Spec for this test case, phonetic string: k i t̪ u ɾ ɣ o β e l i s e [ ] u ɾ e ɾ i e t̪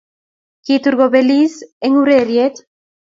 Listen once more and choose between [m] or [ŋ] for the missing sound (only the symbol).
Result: ŋ